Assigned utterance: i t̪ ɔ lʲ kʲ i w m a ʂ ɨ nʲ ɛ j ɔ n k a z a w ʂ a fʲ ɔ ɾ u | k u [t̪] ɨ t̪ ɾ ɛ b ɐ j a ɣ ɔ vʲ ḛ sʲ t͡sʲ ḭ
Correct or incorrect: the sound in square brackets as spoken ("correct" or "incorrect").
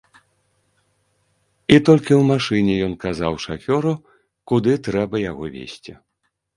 incorrect